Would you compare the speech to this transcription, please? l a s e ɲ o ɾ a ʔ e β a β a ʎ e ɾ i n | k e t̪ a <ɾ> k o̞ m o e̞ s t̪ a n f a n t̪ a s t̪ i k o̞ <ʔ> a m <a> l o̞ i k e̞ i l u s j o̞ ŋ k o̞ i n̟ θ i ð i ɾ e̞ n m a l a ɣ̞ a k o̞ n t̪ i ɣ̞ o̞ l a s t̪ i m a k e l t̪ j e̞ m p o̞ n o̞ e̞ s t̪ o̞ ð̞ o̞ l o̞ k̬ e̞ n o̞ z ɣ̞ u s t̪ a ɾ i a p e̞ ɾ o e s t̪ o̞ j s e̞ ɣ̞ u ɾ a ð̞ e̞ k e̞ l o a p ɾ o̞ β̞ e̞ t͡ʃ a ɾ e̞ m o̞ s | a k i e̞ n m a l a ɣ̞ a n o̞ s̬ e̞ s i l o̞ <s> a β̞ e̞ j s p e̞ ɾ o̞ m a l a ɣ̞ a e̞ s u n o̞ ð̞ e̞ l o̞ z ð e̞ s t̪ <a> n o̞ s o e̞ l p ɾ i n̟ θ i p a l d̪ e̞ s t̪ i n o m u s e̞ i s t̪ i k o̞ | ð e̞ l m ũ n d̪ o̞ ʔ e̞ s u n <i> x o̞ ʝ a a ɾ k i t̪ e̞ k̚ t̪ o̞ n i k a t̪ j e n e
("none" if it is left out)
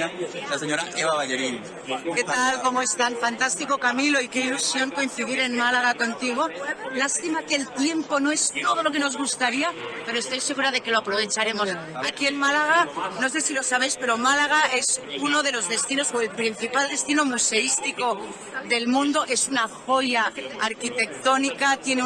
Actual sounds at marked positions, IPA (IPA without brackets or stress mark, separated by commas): l, k, i, s, i, a